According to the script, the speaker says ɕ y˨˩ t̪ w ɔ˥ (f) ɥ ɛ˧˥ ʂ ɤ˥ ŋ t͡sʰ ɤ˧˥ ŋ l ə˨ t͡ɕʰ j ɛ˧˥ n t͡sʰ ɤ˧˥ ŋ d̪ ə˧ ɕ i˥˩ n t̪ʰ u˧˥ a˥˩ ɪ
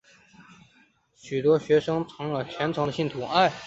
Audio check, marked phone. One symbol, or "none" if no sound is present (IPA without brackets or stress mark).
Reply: ɕ